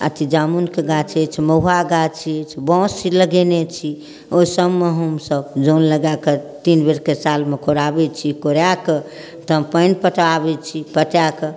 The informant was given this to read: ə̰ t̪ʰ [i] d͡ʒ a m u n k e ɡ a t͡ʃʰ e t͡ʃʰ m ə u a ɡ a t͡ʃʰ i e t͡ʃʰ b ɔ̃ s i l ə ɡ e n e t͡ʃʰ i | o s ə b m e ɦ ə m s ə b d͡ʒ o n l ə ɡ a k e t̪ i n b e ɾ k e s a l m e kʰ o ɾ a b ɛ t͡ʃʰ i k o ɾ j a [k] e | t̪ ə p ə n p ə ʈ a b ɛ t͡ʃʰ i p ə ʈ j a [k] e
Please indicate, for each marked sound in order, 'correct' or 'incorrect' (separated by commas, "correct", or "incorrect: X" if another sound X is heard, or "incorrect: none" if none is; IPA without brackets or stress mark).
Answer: correct, correct, correct